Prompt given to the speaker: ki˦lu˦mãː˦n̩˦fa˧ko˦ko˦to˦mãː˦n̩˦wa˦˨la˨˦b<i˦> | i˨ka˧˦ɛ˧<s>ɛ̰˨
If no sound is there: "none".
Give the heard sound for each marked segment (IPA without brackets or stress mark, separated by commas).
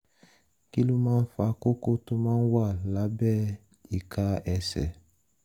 ɛ˦, s